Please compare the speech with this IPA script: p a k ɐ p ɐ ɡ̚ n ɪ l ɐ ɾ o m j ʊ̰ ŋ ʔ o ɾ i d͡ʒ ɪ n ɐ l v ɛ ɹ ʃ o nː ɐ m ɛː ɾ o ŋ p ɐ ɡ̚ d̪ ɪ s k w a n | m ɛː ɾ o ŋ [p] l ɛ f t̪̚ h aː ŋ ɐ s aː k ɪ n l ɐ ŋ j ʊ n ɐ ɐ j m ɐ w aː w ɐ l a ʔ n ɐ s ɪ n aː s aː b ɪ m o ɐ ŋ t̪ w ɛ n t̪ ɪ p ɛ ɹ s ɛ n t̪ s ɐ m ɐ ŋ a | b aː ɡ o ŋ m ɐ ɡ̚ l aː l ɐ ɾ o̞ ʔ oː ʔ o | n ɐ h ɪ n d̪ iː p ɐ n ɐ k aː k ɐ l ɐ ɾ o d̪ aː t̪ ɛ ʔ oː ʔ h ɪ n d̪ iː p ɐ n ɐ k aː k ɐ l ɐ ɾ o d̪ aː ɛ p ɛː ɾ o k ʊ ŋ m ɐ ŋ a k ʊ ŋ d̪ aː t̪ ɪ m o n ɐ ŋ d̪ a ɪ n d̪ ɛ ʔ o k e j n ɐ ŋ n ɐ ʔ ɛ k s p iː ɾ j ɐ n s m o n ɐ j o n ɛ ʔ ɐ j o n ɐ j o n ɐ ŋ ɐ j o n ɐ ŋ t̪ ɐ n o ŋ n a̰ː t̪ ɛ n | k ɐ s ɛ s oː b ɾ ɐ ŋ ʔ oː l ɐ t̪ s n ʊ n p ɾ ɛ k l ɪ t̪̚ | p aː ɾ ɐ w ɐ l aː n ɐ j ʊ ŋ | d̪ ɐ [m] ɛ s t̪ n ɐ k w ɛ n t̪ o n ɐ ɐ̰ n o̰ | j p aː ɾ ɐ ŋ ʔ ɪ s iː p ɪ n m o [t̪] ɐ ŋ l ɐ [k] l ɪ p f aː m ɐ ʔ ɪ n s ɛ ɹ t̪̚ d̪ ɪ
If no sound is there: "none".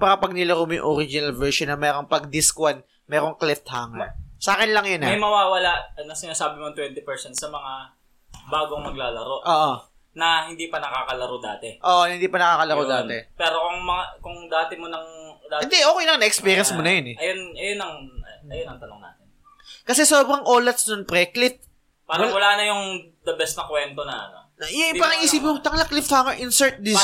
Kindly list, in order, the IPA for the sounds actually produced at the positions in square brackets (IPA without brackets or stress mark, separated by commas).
k, b, t̪, k